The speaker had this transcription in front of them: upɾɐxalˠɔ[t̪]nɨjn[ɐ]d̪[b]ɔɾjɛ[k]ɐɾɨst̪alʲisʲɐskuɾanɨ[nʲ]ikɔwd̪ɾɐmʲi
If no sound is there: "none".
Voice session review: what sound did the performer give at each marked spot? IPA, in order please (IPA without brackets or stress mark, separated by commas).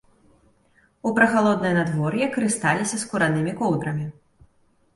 d̪, a, v, k, mʲ